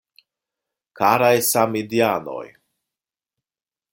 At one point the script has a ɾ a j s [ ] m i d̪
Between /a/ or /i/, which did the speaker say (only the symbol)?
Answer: a